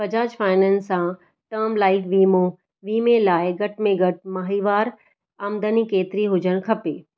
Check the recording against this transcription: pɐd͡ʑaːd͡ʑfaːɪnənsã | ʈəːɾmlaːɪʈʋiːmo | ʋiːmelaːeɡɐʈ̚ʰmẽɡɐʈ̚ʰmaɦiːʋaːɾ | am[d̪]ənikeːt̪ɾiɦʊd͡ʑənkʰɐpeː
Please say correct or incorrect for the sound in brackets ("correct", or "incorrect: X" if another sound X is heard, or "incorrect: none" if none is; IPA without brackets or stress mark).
correct